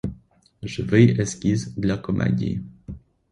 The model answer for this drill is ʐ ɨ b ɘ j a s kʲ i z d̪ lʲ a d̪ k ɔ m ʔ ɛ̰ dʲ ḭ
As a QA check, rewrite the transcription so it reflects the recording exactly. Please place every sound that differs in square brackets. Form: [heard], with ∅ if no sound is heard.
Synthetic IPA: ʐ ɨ [v] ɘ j [ɛ] s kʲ i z d̪ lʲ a [∅] k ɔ m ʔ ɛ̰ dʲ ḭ